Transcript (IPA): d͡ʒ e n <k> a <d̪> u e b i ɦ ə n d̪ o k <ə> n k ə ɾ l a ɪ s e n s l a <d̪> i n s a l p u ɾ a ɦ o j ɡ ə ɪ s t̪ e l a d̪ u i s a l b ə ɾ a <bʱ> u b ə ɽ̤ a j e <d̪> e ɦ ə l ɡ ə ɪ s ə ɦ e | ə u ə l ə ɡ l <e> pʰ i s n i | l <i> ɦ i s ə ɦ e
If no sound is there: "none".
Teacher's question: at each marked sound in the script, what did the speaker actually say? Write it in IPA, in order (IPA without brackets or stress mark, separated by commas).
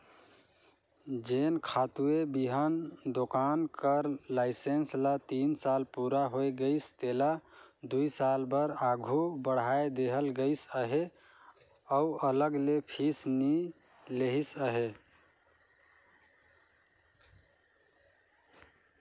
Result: kʰ, t̪, a, t̪, ɡʱ, d̪, e, e